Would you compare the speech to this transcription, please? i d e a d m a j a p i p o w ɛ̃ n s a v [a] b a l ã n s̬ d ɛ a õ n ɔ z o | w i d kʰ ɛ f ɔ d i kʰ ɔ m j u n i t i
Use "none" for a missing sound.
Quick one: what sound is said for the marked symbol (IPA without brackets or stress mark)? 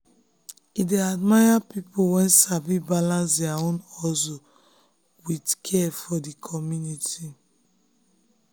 i